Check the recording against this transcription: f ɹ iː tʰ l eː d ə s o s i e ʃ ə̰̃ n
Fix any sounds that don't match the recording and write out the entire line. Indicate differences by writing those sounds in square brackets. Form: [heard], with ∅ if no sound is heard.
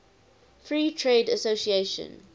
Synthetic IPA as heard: f ɹ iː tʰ [ɹ] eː d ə s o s i e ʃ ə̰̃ n